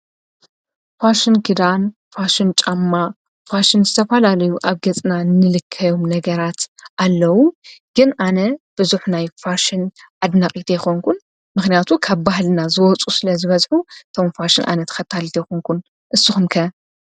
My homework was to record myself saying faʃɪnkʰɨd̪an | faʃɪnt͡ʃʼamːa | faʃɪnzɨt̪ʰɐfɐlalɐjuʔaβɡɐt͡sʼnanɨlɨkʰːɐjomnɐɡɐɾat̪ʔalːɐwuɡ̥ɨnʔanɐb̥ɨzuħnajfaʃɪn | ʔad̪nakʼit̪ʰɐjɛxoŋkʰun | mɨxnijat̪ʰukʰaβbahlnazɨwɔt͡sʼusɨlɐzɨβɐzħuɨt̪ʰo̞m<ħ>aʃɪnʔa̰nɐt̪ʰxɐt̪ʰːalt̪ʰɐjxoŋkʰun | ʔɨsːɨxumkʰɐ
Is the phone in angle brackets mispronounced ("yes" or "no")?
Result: yes